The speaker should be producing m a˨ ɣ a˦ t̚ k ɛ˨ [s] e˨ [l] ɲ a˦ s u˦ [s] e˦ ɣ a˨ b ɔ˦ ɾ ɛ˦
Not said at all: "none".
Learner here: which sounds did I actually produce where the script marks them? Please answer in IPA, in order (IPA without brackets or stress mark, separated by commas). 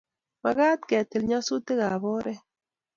t, l, t